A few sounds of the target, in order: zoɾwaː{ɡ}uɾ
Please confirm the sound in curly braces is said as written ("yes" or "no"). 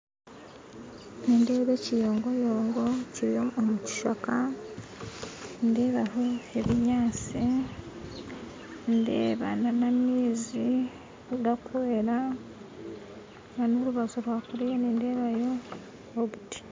no